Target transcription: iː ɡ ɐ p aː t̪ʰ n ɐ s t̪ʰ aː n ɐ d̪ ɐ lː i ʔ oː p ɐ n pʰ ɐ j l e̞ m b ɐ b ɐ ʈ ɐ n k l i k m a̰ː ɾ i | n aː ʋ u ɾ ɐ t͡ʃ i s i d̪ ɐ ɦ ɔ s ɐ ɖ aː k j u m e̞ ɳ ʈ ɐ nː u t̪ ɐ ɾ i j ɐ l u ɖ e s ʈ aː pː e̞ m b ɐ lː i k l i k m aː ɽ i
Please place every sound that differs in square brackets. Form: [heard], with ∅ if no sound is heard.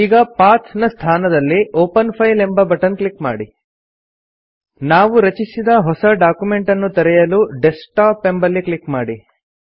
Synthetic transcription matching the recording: iː ɡ ɐ p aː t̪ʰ n ɐ s t̪ʰ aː n ɐ d̪ ɐ lː i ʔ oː p ɐ n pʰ ɐ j l e̞ m b ɐ b ɐ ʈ ɐ n k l i k m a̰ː [ɽ] i | n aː ʋ u ɾ ɐ t͡ʃ i s i d̪ ɐ ɦ ɔ s ɐ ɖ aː k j u m e̞ ɳ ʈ ɐ nː u t̪ ɐ ɾ [ɛ] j ɐ l u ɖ e s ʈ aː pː e̞ m b ɐ lː i k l i k m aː ɽ i